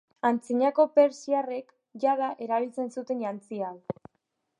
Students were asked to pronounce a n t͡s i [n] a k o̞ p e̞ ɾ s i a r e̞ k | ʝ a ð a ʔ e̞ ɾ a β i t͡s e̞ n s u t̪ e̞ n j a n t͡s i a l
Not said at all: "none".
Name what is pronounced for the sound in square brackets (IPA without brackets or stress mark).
ɲ